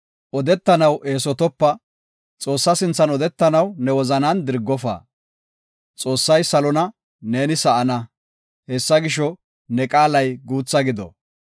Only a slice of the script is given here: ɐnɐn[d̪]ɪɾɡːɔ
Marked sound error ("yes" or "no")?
no